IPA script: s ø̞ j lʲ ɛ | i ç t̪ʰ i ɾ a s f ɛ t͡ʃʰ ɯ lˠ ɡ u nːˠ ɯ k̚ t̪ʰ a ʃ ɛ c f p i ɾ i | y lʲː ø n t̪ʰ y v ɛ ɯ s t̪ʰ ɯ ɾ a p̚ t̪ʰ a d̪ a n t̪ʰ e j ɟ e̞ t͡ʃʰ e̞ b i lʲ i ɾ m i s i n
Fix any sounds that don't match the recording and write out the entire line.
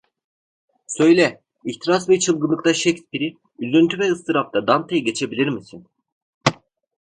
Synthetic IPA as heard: s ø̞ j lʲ ɛ | i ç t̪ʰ i ɾ a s v ɛ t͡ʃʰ ɯ lˠ ɡ ɯ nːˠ ɯ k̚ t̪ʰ a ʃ ɛ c s p i ɾ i | y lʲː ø n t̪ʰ y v ɛ ɯ s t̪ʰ ɯ ɾ a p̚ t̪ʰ a d̪ a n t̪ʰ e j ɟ e̞ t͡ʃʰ e̞ b i lʲ i ɾ m i s i n